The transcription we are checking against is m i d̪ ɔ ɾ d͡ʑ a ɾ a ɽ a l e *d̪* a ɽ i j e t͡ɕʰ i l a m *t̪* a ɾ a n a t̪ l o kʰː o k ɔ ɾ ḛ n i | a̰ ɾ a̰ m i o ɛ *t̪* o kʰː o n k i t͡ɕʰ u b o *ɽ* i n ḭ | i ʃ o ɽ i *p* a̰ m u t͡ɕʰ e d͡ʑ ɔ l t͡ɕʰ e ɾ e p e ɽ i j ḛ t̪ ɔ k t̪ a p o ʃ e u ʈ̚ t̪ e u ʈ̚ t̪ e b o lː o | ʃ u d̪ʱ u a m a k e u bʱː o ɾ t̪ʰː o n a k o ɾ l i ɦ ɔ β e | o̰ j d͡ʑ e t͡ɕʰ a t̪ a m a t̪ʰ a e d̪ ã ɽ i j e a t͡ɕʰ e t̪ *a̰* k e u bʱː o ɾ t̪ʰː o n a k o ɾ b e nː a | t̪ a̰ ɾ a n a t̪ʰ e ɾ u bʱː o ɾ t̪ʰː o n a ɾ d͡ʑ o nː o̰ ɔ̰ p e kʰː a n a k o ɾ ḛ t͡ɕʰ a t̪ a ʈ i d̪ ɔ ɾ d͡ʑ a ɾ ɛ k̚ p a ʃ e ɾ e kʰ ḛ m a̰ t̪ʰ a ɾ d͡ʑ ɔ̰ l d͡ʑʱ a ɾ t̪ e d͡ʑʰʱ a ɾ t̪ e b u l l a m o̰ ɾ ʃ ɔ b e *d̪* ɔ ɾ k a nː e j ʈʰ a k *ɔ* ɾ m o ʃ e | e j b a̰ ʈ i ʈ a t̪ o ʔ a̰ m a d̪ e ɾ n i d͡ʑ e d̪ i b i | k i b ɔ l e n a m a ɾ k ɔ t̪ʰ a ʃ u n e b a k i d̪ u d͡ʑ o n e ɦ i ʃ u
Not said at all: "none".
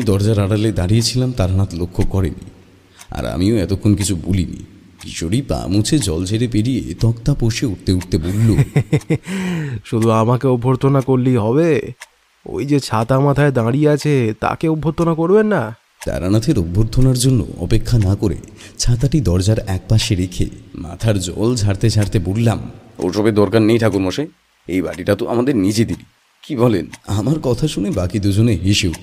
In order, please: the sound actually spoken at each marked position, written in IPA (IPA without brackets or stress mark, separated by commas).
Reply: d̪, t̪, t̪, l, p, a̰, d̪, u